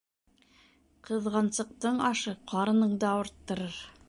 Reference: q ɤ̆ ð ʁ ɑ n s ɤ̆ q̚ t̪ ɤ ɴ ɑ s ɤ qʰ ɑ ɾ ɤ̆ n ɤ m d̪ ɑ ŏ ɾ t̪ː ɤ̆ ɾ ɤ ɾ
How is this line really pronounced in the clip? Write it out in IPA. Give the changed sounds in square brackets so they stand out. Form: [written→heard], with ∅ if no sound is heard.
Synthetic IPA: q ɤ̆ ð ʁ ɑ n s ɤ̆ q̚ t̪ ɤ ɴ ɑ [s→ʃ] ɤ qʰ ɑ ɾ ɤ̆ n ɤ [m→ɴ] d̪ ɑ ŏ ɾ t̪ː ɤ̆ ɾ ɤ ɾ

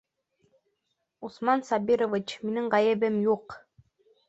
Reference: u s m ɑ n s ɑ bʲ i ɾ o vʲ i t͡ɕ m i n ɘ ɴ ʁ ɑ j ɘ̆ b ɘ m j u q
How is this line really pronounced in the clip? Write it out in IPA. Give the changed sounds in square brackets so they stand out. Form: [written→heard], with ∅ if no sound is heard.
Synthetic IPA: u s m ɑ n s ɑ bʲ i ɾ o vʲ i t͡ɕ m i n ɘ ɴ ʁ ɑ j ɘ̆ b ɘ m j u q

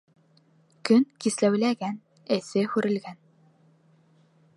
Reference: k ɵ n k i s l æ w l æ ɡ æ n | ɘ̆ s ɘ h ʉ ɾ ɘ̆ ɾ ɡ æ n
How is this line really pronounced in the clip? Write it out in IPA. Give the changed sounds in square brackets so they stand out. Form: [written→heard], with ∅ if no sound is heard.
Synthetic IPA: k ɵ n k i s l æ w l æ ɡ æ n | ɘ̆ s ɘ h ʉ ɾ ɘ̆ [ɾ→l] ɡ æ n

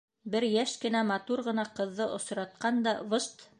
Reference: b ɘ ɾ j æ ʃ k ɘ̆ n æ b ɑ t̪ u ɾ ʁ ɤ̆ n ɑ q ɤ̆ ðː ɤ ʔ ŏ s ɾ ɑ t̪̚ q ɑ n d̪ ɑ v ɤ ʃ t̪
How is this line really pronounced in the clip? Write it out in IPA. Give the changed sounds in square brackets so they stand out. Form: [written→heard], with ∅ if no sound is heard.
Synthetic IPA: b ɘ ɾ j æ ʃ k ɘ̆ n æ [b→m] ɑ t̪ u ɾ ʁ ɤ̆ n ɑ q ɤ̆ ðː ɤ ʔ ŏ s ɾ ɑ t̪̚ q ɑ n d̪ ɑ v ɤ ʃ t̪

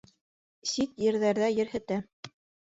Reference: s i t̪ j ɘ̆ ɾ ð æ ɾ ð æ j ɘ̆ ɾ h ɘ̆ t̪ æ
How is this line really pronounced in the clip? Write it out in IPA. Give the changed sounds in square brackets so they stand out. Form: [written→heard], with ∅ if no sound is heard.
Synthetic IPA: s i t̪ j ɘ̆ ɾ ð æ ɾ ð æ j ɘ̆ ɾ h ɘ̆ t̪ æ

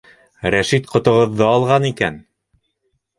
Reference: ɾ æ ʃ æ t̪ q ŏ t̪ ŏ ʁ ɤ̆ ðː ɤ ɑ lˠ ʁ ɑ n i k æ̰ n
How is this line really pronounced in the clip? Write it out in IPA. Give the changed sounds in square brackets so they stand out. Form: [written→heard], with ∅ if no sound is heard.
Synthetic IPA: ɾ æ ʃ [æ→i] t̪ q ŏ t̪ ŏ ʁ ɤ̆ ðː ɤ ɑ lˠ ʁ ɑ n i k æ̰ n

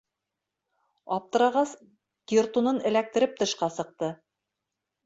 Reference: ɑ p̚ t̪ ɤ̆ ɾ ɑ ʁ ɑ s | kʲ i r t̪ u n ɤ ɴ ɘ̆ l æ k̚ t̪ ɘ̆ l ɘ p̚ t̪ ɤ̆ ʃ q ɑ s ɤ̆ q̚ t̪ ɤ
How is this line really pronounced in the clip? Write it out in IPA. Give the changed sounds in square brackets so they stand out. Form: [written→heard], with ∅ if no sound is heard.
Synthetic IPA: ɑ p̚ t̪ ɤ̆ ɾ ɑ ʁ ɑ s | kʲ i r t̪ u n ɤ [ɴ→n] ɘ̆ l æ k̚ t̪ ɘ̆ [l→ɾ] ɘ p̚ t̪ ɤ̆ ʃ q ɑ s ɤ̆ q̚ t̪ ɤ

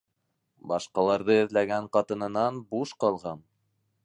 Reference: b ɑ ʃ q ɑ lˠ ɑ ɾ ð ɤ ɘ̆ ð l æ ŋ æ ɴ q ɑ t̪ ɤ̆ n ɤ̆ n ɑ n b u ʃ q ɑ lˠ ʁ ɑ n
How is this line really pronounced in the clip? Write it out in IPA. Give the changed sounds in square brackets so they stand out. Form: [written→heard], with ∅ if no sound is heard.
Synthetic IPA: b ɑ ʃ q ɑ lˠ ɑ ɾ ð ɤ ɘ̆ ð l æ [ŋ→ɡ] æ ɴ q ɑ t̪ ɤ̆ n ɤ̆ n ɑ n b u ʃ q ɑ lˠ ʁ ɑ n

